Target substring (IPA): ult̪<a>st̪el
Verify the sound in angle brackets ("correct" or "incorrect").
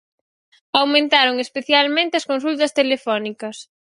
incorrect